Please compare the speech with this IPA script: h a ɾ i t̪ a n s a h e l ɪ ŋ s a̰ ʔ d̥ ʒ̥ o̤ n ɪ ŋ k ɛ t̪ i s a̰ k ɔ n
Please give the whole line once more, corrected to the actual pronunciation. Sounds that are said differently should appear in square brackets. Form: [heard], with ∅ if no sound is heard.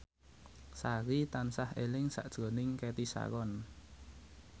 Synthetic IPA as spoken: [s] a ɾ i t̪ a n s a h e l ɪ ŋ s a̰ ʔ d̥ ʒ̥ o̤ n ɪ ŋ k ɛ t̪ i s a̰ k ɔ n